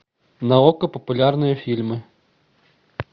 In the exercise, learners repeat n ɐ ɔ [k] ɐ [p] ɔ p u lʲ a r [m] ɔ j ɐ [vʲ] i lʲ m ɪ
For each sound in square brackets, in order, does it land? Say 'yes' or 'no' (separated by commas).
yes, yes, no, no